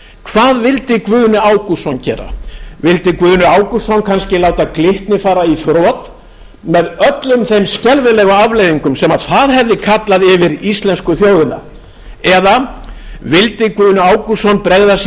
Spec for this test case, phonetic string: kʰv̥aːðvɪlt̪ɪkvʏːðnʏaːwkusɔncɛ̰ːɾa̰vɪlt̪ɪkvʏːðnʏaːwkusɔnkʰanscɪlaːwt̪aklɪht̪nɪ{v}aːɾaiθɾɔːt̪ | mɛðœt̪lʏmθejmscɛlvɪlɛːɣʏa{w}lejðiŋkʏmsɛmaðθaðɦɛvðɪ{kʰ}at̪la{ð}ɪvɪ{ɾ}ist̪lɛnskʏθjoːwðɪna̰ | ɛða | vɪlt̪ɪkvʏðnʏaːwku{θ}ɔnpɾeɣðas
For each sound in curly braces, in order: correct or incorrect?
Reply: incorrect: f, incorrect: v, correct, correct, correct, incorrect: s

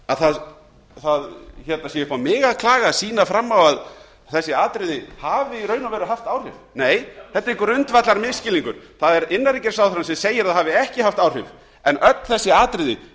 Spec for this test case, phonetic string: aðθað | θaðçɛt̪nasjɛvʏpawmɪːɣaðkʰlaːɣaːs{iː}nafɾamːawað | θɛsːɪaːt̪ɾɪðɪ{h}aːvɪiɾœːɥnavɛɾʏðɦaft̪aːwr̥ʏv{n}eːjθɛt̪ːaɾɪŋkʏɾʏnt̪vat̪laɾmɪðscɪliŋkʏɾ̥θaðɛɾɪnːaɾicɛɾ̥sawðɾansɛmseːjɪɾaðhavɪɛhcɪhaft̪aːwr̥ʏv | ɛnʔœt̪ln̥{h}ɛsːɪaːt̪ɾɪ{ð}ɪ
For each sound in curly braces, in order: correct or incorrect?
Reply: correct, correct, correct, incorrect: θ, correct

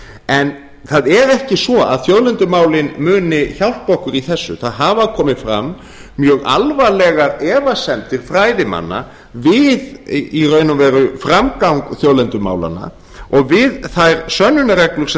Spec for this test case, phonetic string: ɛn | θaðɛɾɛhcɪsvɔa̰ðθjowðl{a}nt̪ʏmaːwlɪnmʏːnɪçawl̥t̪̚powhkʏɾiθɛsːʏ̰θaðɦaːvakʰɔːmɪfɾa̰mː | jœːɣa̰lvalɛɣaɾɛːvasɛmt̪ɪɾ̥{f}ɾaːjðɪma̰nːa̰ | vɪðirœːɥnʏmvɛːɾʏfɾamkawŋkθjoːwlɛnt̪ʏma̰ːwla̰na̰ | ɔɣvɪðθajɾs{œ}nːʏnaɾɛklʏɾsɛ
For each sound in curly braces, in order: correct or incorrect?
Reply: incorrect: ɛ, correct, correct

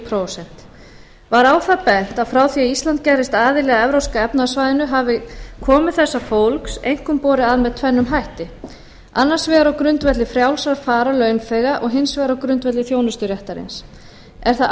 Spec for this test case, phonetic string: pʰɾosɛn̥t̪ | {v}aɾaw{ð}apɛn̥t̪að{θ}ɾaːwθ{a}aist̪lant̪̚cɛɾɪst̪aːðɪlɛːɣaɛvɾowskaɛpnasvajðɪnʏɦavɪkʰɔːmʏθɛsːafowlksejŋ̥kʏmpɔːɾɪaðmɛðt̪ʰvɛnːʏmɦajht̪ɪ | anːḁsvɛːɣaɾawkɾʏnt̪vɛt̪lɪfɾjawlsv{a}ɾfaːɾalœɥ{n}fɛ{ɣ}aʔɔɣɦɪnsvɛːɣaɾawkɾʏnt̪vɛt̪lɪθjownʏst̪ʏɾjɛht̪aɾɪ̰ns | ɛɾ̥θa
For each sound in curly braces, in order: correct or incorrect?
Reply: correct, incorrect: θ, incorrect: f, incorrect: i, correct, correct, correct

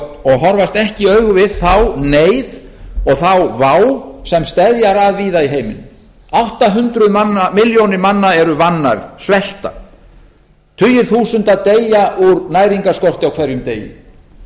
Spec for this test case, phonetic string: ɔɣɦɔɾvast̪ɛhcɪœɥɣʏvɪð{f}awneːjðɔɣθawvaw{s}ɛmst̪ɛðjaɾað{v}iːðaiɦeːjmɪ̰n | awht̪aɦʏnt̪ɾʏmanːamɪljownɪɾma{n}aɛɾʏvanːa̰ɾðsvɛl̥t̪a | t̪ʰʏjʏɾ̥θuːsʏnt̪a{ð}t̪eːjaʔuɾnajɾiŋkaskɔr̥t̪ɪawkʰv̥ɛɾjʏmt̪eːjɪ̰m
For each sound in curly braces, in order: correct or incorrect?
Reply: incorrect: θ, correct, correct, incorrect: nː, correct

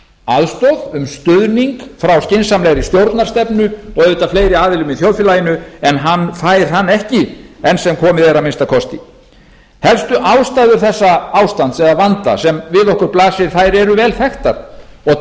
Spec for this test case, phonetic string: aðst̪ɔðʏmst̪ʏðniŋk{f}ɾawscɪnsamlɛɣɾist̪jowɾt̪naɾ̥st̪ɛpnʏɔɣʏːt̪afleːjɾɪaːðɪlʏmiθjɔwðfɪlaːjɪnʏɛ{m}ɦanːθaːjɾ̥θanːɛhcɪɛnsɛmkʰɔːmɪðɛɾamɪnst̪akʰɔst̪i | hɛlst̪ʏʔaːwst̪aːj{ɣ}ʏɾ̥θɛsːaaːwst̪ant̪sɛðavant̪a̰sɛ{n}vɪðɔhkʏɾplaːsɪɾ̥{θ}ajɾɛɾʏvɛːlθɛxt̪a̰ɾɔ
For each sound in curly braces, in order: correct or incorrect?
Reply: correct, incorrect: n, incorrect: ð, incorrect: m, correct

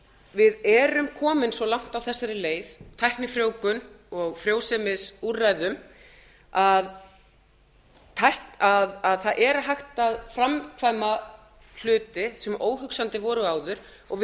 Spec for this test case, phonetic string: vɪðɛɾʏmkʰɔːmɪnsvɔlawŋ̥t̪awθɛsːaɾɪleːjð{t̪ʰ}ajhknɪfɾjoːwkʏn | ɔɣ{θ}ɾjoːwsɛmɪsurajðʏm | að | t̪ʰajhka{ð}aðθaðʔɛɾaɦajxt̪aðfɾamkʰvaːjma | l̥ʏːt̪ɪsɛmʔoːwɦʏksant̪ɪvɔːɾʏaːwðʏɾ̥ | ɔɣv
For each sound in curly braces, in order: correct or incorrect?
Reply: correct, incorrect: f, correct

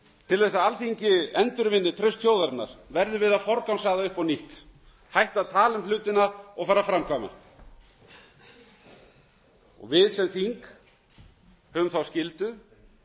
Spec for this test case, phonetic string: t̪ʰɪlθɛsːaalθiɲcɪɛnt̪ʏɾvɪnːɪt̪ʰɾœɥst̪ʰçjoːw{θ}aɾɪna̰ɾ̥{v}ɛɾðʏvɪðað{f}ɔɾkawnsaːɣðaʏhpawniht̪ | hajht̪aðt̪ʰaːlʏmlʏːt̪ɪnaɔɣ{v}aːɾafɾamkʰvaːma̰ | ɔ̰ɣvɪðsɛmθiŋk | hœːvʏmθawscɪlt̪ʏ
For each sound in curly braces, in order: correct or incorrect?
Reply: incorrect: ð, correct, correct, incorrect: f

